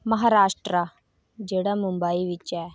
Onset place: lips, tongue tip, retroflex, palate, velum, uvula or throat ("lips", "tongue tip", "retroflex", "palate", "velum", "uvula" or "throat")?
lips